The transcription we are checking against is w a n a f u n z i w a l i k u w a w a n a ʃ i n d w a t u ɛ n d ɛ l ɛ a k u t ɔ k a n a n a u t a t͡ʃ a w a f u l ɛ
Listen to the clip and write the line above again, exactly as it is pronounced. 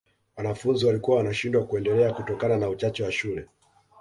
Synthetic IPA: w a n a f u n z i w a l i k u w a w a n a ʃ i n d w a k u ɛ n d ɛ l ɛ a k u t ɔ k a n a n a u t͡ʃ a t͡ʃ ɛ w a ʃ u l ɛ